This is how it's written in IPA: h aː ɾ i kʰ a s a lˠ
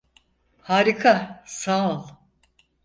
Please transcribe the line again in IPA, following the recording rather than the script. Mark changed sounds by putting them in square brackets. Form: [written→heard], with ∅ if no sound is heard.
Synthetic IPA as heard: h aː ɾ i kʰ a s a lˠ